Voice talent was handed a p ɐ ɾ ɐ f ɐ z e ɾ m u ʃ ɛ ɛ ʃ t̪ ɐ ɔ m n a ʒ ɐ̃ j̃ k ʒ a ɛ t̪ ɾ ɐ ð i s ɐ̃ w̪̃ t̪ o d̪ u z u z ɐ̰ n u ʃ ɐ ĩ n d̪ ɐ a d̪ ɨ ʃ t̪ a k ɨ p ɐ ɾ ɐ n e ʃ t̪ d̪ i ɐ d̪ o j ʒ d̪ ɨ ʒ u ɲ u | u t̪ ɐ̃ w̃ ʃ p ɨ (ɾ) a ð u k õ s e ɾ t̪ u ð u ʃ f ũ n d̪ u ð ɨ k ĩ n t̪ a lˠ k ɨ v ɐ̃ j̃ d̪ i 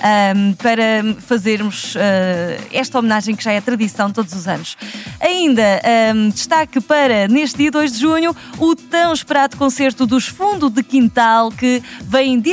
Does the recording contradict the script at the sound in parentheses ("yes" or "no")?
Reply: no